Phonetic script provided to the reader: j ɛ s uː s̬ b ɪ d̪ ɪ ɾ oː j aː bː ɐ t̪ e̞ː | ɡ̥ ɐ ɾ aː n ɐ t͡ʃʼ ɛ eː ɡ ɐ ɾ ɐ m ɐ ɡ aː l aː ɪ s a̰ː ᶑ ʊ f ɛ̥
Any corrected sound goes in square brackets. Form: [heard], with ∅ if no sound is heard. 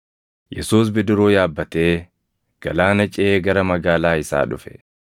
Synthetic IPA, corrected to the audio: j ɛ s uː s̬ b ɪ d̪ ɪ ɾ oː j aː bː ɐ t̪ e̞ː | ɡ̥ ɐ [l] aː n ɐ t͡ʃʼ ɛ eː ɡ ɐ ɾ ɐ m ɐ ɡ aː l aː ɪ s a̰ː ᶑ ʊ f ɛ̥